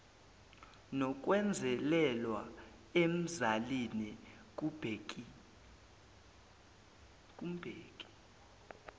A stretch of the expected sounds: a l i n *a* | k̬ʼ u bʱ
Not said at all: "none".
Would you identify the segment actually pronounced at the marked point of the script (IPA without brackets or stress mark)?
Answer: i